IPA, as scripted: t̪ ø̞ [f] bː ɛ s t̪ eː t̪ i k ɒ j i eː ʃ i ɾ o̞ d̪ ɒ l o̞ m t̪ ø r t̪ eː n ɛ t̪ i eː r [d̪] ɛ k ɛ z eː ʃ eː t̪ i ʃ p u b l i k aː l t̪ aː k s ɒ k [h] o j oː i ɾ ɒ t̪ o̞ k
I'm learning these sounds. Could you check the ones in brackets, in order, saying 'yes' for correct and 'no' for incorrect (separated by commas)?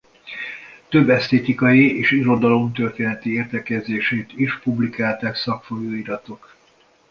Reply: no, no, no